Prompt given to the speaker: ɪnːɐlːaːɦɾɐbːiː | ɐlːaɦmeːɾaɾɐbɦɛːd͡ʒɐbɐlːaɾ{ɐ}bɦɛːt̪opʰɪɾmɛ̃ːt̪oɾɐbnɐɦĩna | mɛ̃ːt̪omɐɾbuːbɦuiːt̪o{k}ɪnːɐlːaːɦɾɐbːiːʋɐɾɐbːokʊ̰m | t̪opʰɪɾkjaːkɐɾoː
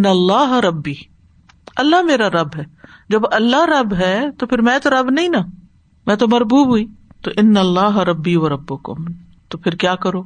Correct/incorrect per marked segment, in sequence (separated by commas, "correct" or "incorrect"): correct, incorrect